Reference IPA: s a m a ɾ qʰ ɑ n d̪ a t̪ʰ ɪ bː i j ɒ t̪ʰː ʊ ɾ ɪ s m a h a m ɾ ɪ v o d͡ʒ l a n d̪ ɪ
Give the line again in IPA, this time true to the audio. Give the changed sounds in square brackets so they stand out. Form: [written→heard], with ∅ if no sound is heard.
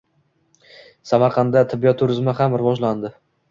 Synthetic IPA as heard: s a m a ɾ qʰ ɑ n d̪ a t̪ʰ ɪ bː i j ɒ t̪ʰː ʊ ɾ ɪ [s→z] m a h a m ɾ ɪ v [o→ɒ] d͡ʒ l a n d̪ ɪ